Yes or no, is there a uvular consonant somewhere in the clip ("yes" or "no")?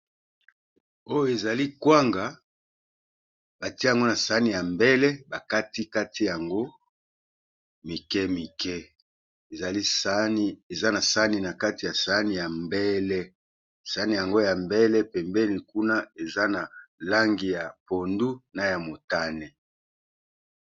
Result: no